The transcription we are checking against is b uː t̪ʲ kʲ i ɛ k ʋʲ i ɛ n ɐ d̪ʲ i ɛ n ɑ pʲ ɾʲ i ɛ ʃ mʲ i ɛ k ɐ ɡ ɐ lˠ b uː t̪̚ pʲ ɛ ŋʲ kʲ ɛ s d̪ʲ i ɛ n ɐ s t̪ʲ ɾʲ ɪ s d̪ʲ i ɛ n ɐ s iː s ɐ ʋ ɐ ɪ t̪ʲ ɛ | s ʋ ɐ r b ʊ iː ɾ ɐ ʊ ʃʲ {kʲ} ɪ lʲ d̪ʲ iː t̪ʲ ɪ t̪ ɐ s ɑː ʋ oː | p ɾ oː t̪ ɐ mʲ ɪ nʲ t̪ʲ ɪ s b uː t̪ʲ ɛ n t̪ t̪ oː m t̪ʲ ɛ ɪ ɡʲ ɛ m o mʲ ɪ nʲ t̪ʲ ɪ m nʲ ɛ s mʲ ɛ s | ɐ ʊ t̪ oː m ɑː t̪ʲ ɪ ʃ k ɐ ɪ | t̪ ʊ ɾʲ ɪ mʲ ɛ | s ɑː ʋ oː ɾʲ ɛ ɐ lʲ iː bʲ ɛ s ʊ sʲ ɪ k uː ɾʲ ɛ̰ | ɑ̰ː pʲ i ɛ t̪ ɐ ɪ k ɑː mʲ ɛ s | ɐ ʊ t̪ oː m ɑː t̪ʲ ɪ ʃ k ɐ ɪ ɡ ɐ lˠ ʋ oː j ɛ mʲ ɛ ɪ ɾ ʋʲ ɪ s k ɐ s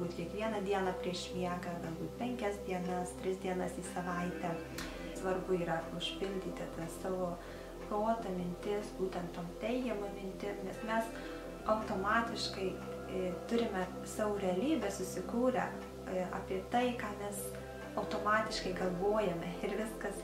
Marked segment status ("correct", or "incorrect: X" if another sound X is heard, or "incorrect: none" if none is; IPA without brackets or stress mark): incorrect: pʲ